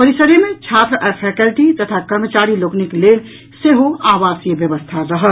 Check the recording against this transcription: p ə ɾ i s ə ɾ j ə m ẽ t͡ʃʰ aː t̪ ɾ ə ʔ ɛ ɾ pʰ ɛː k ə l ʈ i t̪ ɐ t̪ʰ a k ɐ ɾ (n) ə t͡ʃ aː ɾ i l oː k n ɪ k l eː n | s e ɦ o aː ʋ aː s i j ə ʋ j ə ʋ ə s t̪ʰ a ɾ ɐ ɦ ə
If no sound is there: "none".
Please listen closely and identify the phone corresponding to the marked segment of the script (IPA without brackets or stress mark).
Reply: m